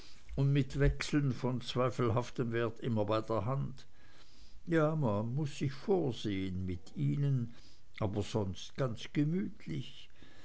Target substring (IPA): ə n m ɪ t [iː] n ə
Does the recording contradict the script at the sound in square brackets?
no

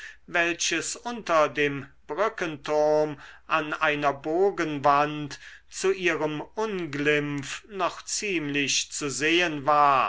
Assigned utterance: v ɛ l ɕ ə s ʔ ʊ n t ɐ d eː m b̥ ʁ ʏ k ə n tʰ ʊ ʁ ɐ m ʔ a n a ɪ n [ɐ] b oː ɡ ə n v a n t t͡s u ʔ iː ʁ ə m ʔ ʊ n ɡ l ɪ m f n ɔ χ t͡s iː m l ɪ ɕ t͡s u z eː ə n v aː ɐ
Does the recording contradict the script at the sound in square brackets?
no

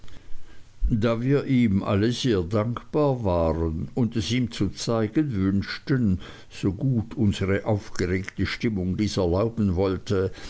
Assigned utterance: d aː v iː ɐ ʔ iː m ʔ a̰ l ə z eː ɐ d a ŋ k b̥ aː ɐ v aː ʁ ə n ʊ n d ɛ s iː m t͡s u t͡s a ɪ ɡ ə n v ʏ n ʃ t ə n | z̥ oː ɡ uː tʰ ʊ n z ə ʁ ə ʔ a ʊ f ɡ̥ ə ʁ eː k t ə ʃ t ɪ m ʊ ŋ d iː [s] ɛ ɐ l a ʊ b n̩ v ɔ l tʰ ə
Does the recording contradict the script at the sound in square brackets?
no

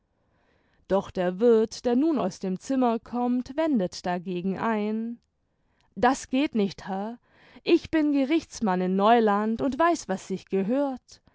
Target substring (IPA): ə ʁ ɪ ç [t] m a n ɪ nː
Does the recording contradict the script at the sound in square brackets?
yes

